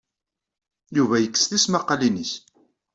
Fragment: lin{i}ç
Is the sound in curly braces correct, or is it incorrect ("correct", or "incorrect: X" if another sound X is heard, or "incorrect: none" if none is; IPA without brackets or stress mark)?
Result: correct